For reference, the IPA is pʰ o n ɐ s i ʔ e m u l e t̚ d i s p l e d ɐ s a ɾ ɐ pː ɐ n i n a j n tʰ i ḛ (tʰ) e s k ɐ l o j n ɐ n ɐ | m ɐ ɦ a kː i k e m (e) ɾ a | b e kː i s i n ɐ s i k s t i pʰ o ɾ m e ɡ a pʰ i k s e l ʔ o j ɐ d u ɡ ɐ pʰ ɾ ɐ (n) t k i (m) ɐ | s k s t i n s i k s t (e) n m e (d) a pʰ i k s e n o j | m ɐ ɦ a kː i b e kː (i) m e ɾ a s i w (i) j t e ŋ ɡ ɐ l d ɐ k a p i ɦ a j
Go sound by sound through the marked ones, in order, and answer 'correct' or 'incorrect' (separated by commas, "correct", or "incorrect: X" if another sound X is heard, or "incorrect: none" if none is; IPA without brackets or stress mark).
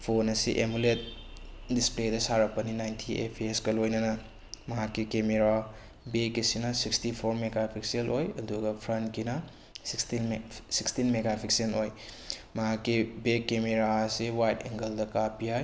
incorrect: pʰ, correct, correct, incorrect: n, incorrect: i, incorrect: ɡ, incorrect: e, incorrect: a